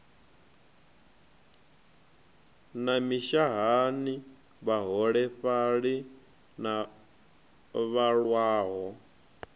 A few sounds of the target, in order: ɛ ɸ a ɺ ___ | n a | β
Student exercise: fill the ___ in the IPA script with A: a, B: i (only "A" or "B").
B